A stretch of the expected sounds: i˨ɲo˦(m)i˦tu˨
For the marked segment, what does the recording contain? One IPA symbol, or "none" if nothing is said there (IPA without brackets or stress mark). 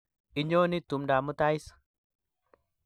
n